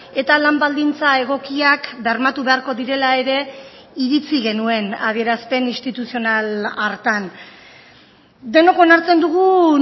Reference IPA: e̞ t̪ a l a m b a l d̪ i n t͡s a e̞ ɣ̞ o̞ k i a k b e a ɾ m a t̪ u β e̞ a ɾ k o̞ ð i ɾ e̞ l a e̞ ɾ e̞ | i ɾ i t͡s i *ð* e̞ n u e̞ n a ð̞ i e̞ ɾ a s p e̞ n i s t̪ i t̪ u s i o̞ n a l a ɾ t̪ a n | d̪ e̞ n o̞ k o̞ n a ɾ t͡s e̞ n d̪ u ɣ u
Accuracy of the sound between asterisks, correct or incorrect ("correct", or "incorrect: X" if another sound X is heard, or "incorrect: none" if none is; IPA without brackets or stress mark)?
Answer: incorrect: ɣ